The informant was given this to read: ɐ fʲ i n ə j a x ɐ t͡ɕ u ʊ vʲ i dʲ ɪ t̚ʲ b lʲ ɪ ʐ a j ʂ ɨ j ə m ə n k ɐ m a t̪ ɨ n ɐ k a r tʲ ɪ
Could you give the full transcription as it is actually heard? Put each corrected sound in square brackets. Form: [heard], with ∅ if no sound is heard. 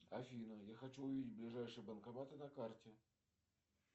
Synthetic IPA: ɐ fʲ i n ə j a x ɐ t͡ɕ u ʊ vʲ i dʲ ɪ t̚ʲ b lʲ ɪ ʐ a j ʂ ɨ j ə [b] ə n k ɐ m a t̪ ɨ n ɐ k a r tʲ ɪ